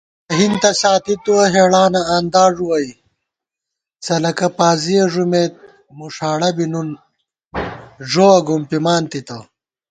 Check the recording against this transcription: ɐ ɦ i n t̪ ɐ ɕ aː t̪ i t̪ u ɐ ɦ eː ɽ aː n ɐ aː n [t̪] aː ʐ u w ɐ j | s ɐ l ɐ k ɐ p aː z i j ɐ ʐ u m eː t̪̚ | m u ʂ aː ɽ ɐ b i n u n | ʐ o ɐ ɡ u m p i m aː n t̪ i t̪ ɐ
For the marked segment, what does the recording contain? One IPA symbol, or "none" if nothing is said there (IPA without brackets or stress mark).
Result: d̪